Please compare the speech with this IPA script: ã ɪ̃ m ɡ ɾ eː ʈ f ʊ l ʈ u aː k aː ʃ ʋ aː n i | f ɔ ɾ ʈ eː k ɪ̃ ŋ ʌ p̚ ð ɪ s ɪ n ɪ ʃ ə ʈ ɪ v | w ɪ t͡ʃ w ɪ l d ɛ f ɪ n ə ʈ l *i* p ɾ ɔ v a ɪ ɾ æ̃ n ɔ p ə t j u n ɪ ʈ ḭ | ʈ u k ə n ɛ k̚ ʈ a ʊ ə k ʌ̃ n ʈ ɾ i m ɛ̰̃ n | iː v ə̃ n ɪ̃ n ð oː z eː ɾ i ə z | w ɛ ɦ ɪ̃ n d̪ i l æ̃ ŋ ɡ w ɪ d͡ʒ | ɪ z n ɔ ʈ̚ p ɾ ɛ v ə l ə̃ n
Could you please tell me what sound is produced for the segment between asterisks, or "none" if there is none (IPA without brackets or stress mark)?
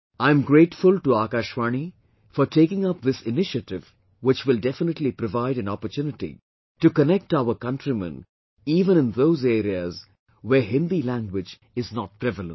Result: i